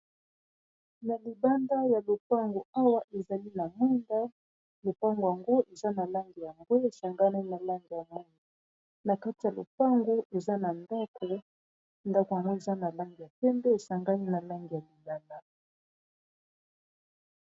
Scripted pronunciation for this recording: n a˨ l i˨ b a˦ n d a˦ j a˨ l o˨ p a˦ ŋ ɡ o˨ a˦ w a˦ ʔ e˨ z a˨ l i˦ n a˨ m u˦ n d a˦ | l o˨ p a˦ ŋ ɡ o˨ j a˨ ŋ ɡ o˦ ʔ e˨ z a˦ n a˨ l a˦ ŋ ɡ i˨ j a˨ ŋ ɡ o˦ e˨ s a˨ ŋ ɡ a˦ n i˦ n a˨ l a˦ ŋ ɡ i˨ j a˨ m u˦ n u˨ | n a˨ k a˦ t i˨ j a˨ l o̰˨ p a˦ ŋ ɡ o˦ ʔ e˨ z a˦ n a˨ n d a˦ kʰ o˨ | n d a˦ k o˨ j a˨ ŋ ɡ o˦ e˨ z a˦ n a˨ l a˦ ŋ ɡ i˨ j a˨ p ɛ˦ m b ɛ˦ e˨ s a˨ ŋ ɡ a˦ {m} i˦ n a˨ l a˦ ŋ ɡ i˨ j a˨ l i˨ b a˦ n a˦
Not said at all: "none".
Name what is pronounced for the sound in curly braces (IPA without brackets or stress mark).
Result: n